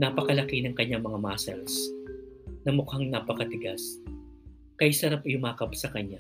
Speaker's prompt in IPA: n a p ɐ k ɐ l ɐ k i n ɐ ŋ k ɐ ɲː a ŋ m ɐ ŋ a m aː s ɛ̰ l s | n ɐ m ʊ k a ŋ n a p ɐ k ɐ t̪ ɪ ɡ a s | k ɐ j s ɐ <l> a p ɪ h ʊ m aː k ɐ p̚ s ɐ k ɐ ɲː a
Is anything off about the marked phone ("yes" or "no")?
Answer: yes